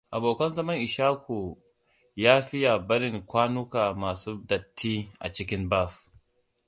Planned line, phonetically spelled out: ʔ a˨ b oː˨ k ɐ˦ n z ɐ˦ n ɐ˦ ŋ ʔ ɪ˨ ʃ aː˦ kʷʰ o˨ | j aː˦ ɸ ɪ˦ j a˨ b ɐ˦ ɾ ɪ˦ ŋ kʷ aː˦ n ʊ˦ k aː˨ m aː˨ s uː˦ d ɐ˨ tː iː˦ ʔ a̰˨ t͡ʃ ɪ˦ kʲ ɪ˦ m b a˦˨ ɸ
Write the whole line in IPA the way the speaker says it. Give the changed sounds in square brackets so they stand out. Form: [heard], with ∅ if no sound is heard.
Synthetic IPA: ʔ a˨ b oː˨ k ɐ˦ n z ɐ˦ [m] ɐ˦ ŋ ʔ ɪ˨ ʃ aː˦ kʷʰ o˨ | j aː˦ ɸ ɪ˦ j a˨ b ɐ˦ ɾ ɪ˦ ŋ kʷ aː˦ n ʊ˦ k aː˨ m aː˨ s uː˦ d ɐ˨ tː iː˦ ʔ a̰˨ t͡ʃ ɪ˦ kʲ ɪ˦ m b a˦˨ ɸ